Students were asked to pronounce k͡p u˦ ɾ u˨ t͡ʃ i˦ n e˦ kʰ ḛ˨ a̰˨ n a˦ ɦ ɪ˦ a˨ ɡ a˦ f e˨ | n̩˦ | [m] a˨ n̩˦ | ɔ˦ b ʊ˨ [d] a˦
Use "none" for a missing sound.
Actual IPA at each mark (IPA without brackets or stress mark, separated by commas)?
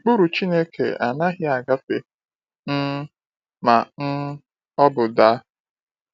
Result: m, d